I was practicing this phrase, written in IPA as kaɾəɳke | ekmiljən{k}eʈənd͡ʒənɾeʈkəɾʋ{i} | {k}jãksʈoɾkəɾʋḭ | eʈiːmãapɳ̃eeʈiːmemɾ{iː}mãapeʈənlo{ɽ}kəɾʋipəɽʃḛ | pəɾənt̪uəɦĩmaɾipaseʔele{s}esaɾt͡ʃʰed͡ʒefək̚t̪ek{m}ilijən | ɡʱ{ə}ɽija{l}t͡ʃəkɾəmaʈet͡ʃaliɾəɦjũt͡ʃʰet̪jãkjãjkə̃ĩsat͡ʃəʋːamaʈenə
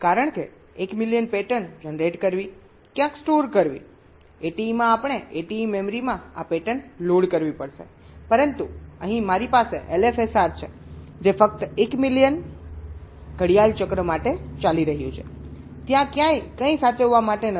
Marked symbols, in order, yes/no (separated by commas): no, yes, yes, no, yes, no, yes, yes, yes